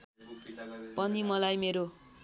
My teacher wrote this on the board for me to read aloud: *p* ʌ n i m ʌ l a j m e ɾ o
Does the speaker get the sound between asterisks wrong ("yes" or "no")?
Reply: no